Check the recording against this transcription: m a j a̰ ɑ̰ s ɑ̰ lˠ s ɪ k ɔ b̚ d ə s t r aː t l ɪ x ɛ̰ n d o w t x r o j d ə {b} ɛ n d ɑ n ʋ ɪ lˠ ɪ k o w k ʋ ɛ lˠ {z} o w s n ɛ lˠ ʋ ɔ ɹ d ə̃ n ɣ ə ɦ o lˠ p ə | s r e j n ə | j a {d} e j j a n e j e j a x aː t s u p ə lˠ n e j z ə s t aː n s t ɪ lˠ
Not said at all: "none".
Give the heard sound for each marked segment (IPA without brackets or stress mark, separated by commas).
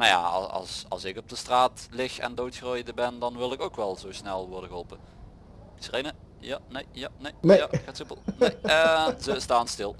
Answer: b, z, n